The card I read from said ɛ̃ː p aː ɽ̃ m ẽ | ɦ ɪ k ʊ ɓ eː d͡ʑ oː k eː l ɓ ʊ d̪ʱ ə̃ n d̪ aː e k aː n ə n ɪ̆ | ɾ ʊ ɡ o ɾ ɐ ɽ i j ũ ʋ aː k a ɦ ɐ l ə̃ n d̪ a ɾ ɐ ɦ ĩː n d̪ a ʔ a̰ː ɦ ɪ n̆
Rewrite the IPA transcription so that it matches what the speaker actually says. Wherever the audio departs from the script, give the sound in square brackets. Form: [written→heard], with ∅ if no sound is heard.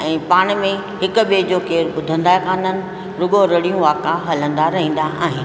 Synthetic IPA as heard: ɛ̃ː p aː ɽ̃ m ẽ | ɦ ɪ k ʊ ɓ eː d͡ʑ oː k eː [l→ɾ] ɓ ʊ d̪ʱ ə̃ n d̪ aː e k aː n ə n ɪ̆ | ɾ ʊ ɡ o ɾ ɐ ɽ i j ũ ʋ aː k a ɦ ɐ l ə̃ n d̪ a ɾ ɐ ɦ ĩː n d̪ a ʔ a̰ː ɦ ɪ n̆

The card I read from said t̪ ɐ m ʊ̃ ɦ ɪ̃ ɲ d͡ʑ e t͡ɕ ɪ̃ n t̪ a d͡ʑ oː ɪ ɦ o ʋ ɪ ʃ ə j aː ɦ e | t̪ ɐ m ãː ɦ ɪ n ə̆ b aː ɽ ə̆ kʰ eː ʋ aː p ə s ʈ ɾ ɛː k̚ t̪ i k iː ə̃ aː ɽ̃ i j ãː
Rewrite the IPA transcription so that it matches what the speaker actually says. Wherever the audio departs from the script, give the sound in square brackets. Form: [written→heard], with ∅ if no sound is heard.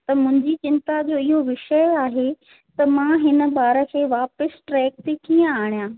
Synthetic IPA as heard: t̪ ɐ m ʊ̃ ɦ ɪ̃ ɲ d͡ʑ [e→i] t͡ɕ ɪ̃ n t̪ a d͡ʑ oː ɪ ɦ o ʋ ɪ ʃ ə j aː ɦ e | t̪ ɐ m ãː ɦ ɪ n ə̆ b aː [ɽ→ɾ] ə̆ kʰ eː ʋ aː p ə s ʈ ɾ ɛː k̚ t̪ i k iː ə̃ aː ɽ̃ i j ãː

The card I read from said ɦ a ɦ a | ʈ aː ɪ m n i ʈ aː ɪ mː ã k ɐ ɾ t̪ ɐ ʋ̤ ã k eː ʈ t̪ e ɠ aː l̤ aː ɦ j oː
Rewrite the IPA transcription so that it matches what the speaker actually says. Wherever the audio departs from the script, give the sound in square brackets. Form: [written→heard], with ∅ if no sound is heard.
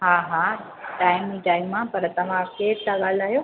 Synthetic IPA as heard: ɦ a ɦ a | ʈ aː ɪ m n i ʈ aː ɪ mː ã [k→p] ɐ ɾ t̪ ɐ ʋ̤ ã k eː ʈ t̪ [e→a] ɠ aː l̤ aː ɦ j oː

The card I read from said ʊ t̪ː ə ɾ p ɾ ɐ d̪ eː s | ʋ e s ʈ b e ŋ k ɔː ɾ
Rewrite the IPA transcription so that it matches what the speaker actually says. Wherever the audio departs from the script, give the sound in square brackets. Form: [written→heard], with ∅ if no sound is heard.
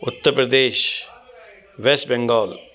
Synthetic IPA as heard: ʊ t̪ː ə ɾ p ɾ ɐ d̪ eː [s→ʃ] | ʋ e s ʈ b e ŋ [k→ɡ] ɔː [ɾ→l]

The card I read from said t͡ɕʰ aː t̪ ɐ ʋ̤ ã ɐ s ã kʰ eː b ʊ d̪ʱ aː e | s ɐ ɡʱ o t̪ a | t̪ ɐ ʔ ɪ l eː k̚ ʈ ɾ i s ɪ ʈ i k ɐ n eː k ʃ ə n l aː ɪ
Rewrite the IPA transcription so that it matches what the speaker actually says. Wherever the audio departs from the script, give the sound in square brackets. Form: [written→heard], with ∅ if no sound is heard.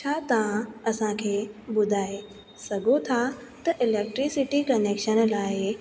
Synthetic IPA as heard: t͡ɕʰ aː t̪ ɐ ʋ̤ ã ɐ s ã kʰ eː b ʊ d̪ʱ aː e | s ɐ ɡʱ o [t̪→t̪ʰ] a | t̪ ɐ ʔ ɪ l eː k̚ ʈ ɾ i s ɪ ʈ i k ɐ n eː k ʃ ə n l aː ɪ

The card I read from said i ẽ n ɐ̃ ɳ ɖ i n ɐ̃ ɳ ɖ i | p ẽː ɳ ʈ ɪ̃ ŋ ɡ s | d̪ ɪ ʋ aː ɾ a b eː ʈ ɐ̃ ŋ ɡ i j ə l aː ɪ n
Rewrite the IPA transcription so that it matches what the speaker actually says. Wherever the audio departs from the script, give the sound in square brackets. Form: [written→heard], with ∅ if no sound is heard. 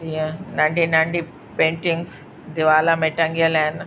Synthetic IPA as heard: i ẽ n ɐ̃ ɳ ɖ i n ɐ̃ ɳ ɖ i | p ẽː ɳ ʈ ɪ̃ ŋ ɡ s | d̪ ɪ ʋ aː [ɾ→l] a [b→m] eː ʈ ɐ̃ ŋ ɡ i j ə l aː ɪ n

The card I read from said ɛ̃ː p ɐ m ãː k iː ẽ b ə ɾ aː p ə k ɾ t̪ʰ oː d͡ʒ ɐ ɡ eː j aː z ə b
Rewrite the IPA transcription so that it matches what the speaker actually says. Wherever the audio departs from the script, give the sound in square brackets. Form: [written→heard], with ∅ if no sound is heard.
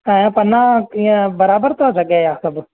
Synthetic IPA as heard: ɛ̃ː p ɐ [m→n] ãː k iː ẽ b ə ɾ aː [p→b] ə [k→∅] ɾ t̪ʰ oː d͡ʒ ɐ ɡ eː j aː [z→s] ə b

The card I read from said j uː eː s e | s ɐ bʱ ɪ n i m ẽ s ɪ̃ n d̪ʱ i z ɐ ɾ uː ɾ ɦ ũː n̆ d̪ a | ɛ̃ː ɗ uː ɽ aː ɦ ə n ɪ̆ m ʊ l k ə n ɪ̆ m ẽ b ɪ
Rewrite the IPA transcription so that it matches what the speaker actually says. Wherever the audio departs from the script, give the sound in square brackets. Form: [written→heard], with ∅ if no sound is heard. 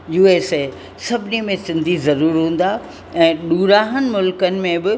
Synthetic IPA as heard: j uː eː s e | s ɐ bʱ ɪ n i m ẽ s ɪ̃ n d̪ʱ i z ɐ ɾ uː ɾ ɦ ũː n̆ d̪ a | ɛ̃ː ɗ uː [ɽ→ɾ] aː ɦ ə n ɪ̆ m ʊ l k ə n ɪ̆ m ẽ b ɪ

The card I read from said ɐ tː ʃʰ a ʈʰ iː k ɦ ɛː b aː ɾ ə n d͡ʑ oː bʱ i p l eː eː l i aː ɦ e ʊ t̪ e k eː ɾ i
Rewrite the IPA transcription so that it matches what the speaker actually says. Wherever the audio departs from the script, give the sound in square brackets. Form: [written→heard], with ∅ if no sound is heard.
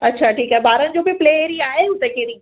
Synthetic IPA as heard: ɐ tː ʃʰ a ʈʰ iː k ɦ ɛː b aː ɾ ə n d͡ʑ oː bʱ i p l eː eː [l→ɾ] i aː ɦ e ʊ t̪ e k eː ɾ i

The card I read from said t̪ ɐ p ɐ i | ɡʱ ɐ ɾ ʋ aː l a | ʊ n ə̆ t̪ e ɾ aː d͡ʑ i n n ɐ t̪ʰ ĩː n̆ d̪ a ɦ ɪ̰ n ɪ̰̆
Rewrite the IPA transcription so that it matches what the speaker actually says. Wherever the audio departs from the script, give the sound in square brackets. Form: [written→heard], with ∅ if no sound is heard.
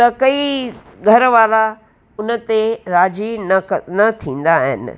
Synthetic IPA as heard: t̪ ɐ [p→k] ɐ i | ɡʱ ɐ ɾ ʋ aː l a | ʊ n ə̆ t̪ e ɾ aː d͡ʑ i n n ɐ t̪ʰ ĩː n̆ d̪ a ɦ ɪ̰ n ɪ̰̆

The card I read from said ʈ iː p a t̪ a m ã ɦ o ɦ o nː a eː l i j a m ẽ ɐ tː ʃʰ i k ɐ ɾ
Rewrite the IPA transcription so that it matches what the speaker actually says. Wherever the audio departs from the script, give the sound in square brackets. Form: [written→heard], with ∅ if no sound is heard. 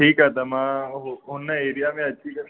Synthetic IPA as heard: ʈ iː [p→k] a t̪ a m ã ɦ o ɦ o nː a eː [l→ɾ] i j a m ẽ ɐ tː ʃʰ i k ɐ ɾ

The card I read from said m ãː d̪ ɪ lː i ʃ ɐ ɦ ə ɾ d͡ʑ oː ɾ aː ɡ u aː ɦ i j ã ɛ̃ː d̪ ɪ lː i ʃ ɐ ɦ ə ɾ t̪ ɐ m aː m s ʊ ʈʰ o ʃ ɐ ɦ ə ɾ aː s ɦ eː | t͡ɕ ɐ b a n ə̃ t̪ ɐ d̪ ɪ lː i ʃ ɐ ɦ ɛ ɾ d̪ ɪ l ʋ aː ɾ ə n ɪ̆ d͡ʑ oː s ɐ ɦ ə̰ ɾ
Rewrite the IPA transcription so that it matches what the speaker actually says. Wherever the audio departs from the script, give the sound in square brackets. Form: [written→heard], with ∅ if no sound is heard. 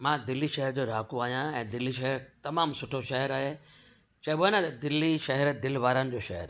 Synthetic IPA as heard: m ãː d̪ ɪ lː i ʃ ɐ ɦ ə ɾ d͡ʑ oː ɾ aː [ɡ→k] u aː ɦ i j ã ɛ̃ː d̪ ɪ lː i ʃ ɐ ɦ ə ɾ t̪ ɐ m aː m s ʊ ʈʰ o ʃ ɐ ɦ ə ɾ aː [s→∅] ɦ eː | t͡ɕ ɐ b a n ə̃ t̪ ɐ d̪ ɪ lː i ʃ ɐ ɦ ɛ ɾ d̪ ɪ l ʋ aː ɾ ə n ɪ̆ d͡ʑ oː [s→ʃ] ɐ ɦ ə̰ ɾ

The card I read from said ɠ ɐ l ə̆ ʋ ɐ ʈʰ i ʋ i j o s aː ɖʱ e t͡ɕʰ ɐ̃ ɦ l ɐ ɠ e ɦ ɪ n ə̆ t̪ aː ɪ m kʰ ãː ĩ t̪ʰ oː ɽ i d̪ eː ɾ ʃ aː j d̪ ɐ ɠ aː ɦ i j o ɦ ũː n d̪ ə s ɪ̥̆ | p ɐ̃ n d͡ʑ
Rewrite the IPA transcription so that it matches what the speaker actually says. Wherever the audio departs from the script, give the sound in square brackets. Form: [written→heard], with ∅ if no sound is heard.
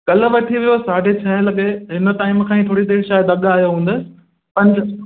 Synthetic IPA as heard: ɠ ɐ l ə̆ ʋ ɐ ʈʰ i ʋ i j o s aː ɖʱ e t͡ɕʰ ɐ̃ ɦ l ɐ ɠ e ɦ ɪ n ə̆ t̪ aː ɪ m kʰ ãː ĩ t̪ʰ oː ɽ i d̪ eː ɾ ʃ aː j d̪ ɐ ɠ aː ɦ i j o ɦ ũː n d̪ ə s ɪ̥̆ | p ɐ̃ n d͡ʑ

